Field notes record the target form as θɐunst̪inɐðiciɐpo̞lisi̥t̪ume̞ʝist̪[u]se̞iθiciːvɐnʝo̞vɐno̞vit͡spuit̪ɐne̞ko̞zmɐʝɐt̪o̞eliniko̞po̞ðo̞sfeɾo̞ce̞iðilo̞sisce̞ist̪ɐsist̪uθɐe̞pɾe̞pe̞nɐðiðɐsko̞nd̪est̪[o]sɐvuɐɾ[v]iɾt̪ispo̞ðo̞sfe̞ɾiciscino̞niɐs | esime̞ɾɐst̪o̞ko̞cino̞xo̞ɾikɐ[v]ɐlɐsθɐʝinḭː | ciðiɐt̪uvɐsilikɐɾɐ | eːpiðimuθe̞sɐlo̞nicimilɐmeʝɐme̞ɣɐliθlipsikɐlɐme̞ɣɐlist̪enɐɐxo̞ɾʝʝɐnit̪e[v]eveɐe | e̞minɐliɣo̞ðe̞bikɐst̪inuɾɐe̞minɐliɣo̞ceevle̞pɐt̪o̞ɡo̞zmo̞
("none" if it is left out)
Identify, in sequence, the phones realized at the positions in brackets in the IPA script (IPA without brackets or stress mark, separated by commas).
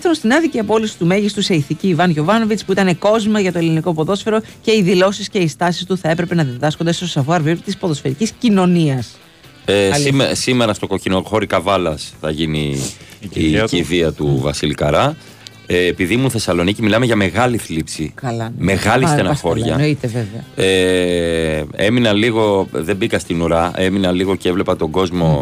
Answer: u, o, v, v, v